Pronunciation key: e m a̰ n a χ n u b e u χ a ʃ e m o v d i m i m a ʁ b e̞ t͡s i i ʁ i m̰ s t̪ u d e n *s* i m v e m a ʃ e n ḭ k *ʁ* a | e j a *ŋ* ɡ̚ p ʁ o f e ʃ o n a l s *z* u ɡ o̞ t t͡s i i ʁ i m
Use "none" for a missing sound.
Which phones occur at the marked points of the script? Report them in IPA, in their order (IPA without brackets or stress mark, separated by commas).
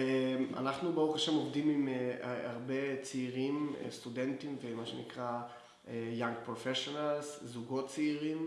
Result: t, ʁ, ŋ, z